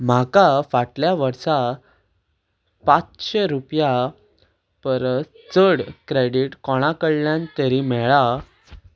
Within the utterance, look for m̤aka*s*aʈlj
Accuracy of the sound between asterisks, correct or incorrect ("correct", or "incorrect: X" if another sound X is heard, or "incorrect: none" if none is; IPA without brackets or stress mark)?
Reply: incorrect: f